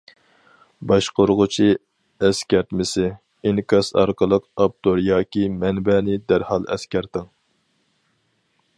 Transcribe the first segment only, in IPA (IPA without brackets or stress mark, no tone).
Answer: b